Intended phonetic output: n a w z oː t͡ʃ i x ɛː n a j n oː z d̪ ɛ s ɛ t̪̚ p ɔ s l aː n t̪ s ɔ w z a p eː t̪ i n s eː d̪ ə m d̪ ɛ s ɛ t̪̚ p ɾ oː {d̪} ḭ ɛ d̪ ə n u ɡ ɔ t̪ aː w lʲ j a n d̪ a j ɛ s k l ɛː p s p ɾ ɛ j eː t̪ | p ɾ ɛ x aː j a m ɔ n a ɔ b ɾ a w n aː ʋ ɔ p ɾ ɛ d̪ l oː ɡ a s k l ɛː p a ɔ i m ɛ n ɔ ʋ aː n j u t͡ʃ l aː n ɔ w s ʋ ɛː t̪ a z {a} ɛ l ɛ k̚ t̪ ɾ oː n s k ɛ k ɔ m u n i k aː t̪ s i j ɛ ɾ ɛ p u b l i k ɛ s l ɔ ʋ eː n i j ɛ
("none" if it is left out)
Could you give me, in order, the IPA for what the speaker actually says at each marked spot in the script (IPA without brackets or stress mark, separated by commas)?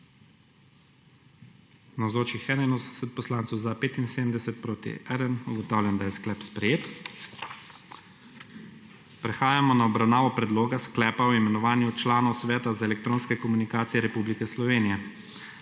t̪, a